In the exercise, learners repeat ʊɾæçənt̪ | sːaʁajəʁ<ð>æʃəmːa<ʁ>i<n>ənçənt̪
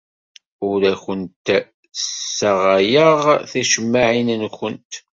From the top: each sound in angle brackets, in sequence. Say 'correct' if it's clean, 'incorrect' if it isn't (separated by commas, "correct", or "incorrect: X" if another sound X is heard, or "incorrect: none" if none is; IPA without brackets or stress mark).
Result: incorrect: θ, incorrect: ʕ, correct